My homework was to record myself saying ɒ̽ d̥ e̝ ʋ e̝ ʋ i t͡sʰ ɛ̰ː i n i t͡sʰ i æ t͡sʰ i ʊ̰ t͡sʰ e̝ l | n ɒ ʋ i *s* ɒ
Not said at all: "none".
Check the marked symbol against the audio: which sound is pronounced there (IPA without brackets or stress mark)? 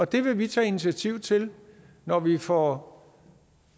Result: f